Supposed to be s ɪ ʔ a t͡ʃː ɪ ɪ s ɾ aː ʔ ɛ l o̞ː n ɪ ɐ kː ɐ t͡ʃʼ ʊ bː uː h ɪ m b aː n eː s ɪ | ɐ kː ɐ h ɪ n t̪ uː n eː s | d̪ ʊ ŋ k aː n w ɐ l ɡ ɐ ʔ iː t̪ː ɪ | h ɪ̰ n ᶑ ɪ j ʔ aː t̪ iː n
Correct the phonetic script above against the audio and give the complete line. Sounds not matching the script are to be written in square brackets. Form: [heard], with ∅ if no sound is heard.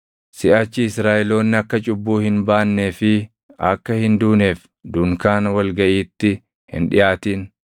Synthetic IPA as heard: s ɪ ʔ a t͡ʃː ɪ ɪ s ɾ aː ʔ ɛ l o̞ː [nː] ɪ ɐ kː ɐ t͡ʃʼ ʊ bː uː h ɪ [n] b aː [nː] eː [f] ɪ | ɐ kː ɐ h ɪ n [d̪] uː n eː [f] | d̪ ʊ ŋ k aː n w ɐ l ɡ ɐ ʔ iː t̪ː ɪ | h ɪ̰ n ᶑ ɪ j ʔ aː t̪ iː n